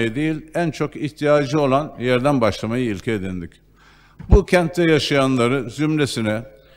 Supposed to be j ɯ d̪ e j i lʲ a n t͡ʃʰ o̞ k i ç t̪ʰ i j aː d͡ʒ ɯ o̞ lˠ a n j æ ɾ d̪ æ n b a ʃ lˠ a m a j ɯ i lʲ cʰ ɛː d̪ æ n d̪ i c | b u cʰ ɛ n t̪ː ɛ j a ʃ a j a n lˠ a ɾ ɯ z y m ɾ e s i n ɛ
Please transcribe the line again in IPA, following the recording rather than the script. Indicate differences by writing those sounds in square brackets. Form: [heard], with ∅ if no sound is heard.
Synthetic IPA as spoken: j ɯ d̪ e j i lʲ [æ] n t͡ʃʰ o̞ k i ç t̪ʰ i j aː d͡ʒ ɯ o̞ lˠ a n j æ ɾ d̪ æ n b a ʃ lˠ a m a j ɯ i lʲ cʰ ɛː d̪ [i] n d̪ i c | b u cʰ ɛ n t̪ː ɛ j a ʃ a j a n lˠ a ɾ ɯ z y m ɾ e s i n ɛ